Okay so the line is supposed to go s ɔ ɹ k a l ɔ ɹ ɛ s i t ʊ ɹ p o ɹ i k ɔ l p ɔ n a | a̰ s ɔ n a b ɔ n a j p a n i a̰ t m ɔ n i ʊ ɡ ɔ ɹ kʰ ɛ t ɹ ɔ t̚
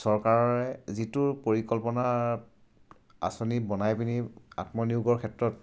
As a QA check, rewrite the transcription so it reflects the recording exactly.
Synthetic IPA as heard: s ɔ ɹ k a ɹ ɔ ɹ ɛ z i t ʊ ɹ p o ɹ i k ɔ l p ɔ n a | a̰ s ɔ n i b ɔ n a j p i n i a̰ t m ɔ n i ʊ ɡ ɔ ɹ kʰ ɛ t ɹ ɔ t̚